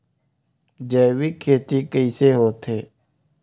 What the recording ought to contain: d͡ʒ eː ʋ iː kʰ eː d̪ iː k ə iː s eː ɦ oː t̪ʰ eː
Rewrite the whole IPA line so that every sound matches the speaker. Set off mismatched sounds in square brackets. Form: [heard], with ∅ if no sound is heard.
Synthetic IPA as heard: d͡ʒ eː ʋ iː kʰ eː [t̪] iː k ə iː s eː ɦ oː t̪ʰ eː